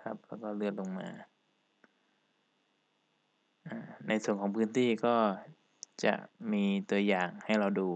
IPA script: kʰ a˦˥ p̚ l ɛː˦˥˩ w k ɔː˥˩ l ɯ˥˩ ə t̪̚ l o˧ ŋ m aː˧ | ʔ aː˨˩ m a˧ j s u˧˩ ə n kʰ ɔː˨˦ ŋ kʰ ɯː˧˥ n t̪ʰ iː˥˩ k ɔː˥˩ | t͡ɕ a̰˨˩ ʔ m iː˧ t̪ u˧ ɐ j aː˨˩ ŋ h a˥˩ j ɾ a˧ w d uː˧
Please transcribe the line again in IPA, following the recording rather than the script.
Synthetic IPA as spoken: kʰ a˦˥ p̚ l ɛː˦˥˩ w k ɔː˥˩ l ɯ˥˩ ə t̪̚ l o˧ ŋ m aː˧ | ʔ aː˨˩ n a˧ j s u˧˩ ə n kʰ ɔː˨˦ ŋ pʰ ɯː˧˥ n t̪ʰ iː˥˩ k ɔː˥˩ | t͡ɕ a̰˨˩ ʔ m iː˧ t̪ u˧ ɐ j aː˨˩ ŋ h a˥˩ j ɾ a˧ w d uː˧

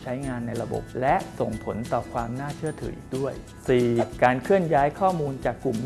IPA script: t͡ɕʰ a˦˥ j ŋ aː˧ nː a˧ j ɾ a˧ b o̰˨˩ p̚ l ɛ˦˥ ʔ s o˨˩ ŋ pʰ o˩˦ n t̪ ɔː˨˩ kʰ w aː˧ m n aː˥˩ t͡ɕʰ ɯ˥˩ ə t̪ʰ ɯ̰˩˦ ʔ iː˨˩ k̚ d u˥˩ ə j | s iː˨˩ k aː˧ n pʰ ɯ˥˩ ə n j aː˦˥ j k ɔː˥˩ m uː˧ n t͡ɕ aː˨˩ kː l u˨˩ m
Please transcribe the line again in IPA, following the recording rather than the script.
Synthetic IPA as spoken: t͡ɕʰ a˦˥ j ŋ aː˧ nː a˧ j ɾ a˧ b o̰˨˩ p̚ l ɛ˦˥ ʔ s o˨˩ ŋ pʰ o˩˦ n t̪ ɔː˨˩ kʰ w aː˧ m n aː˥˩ t͡ɕʰ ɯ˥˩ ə t̪ʰ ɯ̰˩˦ ʔ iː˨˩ k̚ d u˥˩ ə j | s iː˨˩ k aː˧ n kʰ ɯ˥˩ ə n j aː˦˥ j kʰ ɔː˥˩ m uː˧ n t͡ɕ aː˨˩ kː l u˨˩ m

